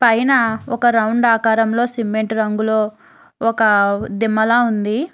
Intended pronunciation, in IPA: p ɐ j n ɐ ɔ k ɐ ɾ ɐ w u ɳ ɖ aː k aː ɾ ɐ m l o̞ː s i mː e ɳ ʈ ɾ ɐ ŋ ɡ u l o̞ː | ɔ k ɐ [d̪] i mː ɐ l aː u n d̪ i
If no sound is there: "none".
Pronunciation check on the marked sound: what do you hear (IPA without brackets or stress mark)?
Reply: d̪